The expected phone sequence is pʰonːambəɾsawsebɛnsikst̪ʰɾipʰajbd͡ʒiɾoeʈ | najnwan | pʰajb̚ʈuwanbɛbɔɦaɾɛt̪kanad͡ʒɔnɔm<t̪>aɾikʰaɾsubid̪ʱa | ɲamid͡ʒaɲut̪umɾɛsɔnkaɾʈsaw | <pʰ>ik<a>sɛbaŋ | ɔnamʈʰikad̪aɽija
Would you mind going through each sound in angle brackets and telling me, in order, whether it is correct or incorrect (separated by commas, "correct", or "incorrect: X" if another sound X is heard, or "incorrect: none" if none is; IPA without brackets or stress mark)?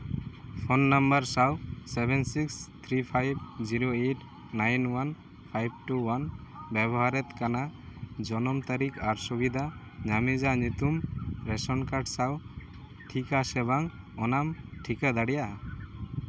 correct, incorrect: ʈʰ, correct